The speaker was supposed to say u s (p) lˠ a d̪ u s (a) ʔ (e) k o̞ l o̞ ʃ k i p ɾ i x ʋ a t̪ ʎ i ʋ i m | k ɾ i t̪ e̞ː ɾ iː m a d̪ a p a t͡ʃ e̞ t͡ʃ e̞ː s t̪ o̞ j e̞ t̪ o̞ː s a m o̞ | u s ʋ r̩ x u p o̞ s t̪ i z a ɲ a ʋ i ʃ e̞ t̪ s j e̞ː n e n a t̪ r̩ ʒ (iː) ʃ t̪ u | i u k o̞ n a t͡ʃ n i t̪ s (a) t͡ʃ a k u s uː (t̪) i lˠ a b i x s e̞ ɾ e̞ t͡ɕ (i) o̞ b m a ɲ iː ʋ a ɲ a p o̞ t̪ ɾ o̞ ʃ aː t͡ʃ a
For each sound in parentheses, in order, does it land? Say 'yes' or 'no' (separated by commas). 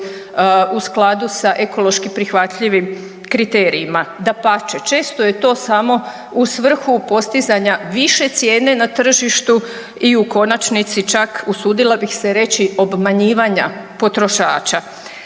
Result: no, yes, yes, no, no, no, yes